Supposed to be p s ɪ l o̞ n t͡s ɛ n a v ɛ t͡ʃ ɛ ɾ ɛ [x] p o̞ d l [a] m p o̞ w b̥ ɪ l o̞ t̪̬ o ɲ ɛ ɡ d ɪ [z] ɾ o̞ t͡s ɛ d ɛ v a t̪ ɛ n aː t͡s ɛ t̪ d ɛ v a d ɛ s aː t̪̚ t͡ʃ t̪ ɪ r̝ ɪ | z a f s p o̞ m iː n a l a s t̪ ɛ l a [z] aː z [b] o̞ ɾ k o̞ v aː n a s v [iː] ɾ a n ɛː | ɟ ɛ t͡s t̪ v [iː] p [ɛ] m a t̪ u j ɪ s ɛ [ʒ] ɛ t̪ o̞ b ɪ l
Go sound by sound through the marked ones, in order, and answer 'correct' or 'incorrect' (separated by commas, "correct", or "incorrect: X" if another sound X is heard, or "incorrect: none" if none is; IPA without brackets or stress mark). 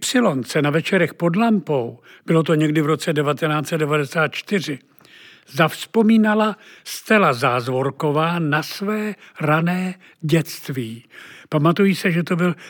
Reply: correct, correct, incorrect: v, correct, incorrect: v, incorrect: ɛː, correct, incorrect: a, correct